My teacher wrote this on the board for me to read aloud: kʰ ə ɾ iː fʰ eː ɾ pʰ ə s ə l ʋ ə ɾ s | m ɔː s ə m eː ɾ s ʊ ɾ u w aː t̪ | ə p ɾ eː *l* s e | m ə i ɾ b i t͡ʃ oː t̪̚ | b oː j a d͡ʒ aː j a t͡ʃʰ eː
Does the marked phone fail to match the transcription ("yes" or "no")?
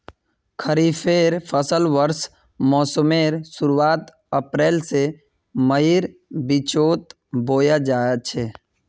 no